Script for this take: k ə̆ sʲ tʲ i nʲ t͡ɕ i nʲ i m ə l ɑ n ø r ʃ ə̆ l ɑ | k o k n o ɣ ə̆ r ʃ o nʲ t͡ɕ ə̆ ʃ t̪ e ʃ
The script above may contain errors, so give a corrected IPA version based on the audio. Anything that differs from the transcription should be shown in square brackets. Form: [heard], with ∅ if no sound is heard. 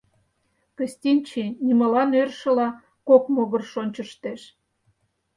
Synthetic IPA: k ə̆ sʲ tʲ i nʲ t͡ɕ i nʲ i m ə l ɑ n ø r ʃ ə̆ l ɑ | k o k [m] o ɣ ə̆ r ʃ o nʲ t͡ɕ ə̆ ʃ t̪ e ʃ

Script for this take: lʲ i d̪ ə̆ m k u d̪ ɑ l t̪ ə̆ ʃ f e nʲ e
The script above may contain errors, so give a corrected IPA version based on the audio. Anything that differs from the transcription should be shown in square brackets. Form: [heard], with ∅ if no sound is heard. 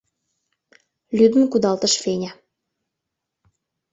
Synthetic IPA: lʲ [y] d̪ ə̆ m k u d̪ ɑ l t̪ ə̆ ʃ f e nʲ [æ]

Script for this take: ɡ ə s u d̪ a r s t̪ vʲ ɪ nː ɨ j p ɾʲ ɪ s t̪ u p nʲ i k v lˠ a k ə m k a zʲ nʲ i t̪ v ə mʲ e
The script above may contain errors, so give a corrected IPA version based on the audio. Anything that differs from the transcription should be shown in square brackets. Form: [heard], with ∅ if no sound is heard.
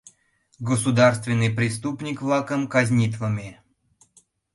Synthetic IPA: ɡ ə s u d̪ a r s t̪ vʲ ɪ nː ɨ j p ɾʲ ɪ s t̪ u p nʲ i k v lˠ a k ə m k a zʲ nʲ i t̪ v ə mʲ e

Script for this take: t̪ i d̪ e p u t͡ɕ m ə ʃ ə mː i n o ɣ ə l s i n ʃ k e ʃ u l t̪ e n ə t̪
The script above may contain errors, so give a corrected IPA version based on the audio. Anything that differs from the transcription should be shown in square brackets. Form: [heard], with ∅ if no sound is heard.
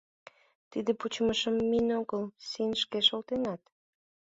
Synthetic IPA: t̪ i d̪ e p u t͡ɕ m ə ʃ ə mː i n o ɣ ə l s i n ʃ k e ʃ [o] l t̪ e n [ɑ] t̪

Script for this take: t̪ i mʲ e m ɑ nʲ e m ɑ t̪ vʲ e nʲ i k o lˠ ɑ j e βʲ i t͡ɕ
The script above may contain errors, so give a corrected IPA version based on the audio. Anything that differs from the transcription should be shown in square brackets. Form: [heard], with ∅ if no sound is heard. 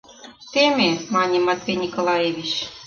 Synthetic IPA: t̪ [e] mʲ e m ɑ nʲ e m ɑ t̪ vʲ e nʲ i k o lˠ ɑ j e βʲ i t͡ɕ

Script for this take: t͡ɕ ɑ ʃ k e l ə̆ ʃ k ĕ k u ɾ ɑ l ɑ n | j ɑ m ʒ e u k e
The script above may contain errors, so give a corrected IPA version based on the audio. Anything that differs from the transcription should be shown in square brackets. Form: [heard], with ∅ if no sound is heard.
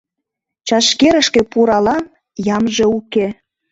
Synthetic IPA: t͡ɕ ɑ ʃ k e [ɾ] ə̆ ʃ k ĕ [p] u ɾ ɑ l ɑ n | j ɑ m ʒ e u k e

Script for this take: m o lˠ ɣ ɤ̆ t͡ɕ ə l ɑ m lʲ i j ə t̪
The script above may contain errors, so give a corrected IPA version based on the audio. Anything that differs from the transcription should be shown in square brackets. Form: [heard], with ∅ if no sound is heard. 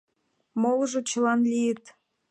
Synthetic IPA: m o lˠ [ʒ] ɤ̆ t͡ɕ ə l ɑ [n] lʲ i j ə t̪

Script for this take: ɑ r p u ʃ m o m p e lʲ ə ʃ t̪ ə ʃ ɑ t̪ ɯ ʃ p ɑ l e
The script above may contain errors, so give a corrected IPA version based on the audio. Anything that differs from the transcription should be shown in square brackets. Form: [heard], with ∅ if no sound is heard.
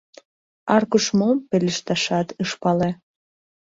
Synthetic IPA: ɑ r [k] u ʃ m o m p e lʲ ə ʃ t̪ [ɑ] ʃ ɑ t̪ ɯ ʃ p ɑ l e

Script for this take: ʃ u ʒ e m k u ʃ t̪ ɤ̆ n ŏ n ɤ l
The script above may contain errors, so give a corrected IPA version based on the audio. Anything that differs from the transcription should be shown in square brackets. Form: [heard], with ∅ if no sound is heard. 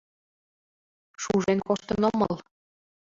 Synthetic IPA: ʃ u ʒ e [n] k [o] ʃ t̪ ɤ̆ n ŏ [m] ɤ l

